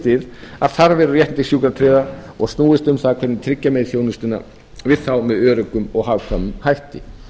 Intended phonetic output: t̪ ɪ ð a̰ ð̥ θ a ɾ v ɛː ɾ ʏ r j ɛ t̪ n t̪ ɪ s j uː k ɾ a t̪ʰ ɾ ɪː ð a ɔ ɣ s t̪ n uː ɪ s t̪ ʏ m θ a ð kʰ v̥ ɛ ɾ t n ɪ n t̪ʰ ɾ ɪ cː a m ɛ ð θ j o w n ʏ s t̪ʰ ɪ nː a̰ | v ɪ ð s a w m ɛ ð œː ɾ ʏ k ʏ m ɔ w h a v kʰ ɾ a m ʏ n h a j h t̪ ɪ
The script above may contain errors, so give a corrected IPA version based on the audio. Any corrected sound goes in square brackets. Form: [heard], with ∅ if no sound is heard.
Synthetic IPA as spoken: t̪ ɪ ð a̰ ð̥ θ a ɾ v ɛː ɾ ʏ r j ɛ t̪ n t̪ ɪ s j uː k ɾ a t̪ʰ ɾ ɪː ð a ɔ ɣ s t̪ n uː ɪ s t̪ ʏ m θ a ð kʰ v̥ ɛ ɾ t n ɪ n t̪ʰ ɾ ɪ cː a m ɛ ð θ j o w n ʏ s [t̪] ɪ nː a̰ | v ɪ ð [θ] a w m ɛ ð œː ɾ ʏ k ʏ m ɔ [ɣ] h a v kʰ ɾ a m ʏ [m] h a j h t̪ ɪ